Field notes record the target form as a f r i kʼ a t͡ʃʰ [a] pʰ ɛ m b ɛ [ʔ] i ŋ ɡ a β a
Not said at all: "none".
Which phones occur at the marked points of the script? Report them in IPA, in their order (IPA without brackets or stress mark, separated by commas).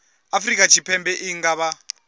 i, ʔ